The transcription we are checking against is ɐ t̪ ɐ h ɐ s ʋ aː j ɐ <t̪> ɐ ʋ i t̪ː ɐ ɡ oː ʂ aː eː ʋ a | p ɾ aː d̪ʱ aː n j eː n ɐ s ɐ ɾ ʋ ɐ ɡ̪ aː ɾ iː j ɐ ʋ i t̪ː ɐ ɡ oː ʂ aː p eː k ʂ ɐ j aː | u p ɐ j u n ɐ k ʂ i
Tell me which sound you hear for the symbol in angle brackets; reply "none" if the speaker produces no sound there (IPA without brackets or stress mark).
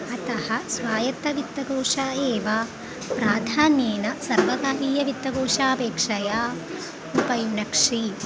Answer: t̪